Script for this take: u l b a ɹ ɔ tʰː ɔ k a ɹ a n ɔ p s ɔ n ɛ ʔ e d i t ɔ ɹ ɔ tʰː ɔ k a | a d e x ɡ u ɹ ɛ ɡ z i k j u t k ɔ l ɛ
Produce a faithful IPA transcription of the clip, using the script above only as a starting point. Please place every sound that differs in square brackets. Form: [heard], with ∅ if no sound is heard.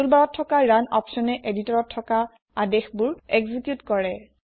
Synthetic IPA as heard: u l b a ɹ ɔ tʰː ɔ k a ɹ a n ɔ p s ɔ n ɛ ʔ e d i t ɔ ɹ ɔ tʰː ɔ k a | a d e x [b] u ɹ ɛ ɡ z i k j u t k ɔ [ɹ] ɛ